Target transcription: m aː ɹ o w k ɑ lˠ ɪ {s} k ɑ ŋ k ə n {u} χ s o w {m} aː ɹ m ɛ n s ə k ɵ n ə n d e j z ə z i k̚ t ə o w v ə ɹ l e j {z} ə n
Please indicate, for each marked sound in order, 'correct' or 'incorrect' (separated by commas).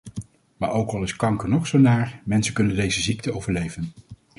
correct, incorrect, incorrect, incorrect